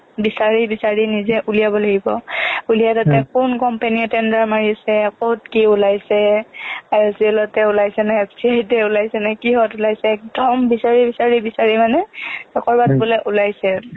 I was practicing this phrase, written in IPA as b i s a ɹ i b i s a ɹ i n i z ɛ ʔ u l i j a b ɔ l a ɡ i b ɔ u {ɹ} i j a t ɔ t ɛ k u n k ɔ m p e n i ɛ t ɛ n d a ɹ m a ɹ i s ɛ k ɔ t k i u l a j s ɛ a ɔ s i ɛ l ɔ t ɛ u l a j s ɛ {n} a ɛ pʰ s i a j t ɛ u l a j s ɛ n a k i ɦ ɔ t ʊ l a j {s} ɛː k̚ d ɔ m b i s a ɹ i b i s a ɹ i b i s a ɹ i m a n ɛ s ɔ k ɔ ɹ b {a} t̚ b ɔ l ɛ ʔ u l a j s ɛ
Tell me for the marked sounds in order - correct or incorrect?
incorrect, correct, correct, correct

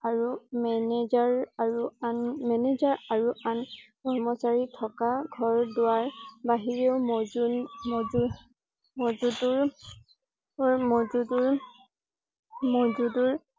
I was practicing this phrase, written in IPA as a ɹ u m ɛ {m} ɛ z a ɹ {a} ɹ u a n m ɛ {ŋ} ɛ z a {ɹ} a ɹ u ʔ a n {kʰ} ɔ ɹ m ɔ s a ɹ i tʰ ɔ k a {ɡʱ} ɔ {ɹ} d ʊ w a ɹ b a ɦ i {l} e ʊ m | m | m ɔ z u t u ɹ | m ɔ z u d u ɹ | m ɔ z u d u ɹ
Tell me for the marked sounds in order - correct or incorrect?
incorrect, correct, incorrect, correct, incorrect, correct, correct, incorrect

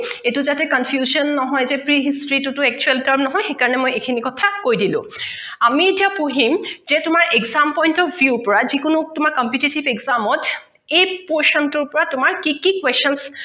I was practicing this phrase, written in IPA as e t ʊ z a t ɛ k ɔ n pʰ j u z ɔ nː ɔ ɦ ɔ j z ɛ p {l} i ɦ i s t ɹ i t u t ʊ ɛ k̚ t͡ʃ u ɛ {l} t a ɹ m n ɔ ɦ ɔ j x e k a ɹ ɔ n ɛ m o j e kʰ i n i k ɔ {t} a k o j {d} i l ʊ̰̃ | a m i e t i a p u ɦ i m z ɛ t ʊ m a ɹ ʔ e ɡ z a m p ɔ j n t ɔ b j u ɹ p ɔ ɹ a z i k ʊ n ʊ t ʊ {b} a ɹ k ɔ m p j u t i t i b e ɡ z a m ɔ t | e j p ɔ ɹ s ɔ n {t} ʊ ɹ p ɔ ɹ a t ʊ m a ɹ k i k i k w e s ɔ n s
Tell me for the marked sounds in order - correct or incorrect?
incorrect, correct, incorrect, correct, incorrect, correct

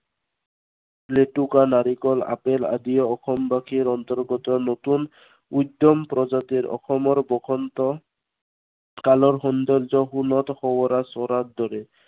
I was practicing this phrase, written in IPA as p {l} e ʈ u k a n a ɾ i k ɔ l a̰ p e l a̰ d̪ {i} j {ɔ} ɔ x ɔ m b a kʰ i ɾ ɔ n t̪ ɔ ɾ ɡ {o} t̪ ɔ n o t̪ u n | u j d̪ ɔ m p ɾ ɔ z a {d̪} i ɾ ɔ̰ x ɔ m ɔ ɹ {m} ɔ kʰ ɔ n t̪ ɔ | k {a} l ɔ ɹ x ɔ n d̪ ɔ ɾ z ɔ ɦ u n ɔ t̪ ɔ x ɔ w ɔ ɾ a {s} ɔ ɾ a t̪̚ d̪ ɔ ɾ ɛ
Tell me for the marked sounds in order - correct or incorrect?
correct, correct, correct, incorrect, incorrect, incorrect, correct, correct

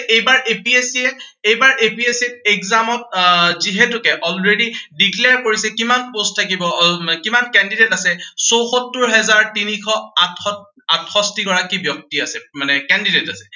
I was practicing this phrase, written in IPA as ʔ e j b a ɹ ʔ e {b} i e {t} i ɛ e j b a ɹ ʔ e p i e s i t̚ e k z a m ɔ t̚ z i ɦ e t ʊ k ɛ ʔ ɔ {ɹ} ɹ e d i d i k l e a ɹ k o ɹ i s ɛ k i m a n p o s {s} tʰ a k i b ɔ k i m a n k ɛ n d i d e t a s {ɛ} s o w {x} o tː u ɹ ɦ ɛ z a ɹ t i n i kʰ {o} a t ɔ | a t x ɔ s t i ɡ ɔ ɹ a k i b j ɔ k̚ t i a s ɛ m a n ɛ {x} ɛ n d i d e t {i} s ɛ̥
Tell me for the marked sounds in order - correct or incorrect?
incorrect, incorrect, incorrect, incorrect, correct, correct, incorrect, incorrect, incorrect

